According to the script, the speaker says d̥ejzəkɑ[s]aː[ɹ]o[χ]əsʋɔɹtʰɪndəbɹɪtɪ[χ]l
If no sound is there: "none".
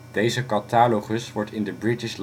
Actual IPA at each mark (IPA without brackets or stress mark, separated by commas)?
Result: t, l, χ, ʃ